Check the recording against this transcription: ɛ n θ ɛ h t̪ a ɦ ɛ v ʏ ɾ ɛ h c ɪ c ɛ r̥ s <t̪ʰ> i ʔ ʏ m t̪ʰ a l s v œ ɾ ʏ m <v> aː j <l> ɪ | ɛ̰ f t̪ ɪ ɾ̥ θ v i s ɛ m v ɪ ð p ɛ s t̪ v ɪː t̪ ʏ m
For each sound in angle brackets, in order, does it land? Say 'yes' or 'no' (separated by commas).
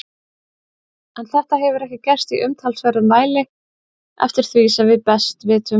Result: no, yes, yes